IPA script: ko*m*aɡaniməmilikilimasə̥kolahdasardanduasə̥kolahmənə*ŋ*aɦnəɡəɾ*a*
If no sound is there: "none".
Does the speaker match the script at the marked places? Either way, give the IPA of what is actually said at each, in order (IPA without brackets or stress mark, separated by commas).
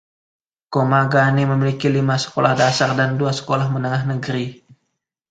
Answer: m, ŋ, i